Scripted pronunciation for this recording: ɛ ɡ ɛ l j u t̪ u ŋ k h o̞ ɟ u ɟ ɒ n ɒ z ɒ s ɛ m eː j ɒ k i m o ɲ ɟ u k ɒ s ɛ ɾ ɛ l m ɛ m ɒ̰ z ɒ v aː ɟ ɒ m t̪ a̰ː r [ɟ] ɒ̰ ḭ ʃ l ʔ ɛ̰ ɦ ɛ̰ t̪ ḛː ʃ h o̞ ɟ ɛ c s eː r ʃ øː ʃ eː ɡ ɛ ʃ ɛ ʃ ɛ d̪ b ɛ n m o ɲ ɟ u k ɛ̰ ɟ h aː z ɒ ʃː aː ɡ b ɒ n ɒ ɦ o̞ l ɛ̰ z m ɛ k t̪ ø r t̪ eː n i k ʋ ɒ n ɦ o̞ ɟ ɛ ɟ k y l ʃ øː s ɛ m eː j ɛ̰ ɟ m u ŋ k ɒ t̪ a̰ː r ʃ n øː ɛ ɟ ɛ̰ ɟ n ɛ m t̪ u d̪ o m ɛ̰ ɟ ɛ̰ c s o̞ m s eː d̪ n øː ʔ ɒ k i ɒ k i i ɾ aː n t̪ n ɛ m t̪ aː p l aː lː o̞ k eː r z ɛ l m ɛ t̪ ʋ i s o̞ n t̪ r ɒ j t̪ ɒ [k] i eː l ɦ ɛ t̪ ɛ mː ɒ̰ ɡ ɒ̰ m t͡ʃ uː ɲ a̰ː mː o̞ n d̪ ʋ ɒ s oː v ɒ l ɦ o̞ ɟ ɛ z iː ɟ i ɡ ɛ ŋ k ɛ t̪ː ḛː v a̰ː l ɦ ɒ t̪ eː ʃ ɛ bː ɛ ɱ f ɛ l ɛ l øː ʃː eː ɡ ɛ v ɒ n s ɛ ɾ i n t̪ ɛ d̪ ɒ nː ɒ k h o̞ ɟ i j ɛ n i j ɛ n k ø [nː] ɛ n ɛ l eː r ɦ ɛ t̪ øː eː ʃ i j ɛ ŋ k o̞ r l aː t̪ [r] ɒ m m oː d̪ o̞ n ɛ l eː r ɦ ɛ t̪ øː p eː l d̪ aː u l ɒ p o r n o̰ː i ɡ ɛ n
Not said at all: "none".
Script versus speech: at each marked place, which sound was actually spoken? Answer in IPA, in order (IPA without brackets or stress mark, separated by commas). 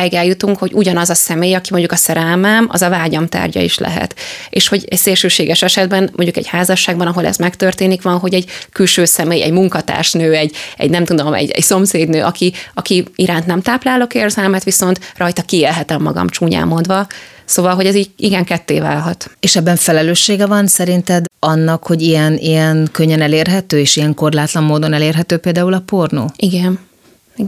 ɟ, k, ɲː, l